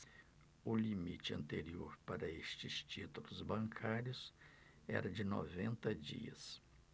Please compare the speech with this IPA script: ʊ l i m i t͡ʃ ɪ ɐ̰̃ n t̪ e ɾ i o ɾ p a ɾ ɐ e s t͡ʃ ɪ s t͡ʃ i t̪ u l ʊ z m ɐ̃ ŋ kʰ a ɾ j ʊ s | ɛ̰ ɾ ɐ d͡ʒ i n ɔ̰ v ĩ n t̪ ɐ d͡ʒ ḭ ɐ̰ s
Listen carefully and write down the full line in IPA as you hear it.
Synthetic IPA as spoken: ʊ l i m i t͡ʃ ɪ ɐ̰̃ n t̪ e ɾ i o ɾ p a ɾ ɐ e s t͡ʃ ɪ s t͡ʃ i t̪ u l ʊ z b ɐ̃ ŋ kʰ a ɾ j ʊ s | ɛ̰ ɾ ɐ d͡ʒ ɪ n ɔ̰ v ẽ n t̪ ɐ d͡ʒ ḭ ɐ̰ s